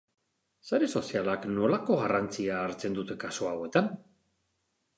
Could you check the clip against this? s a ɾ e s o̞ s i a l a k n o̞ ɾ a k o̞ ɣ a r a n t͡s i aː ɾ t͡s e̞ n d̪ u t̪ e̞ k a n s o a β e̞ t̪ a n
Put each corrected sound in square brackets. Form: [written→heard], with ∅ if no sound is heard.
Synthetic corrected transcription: s a ɾ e s o̞ s i a l a k n o̞ [ɾ→l] a k o̞ ɣ a r a n t͡s i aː ɾ t͡s e̞ n d̪ u t̪ e̞ k a [n→∅] s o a [β→w] e̞ t̪ a n